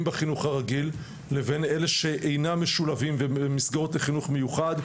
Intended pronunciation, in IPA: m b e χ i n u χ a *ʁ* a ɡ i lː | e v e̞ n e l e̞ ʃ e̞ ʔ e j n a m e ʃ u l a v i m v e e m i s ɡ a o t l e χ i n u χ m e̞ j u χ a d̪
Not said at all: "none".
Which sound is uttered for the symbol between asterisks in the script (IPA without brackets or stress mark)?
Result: ʁ